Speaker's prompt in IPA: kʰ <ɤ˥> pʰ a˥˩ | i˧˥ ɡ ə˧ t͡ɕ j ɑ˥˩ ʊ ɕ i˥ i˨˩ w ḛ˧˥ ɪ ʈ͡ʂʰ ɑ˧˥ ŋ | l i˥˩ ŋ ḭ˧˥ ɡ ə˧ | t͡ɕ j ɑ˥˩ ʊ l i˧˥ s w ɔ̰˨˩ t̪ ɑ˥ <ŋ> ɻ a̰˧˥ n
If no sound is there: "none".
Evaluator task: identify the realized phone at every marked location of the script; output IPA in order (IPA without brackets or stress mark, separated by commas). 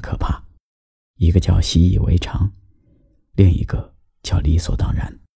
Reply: ɤ˨˩, ŋ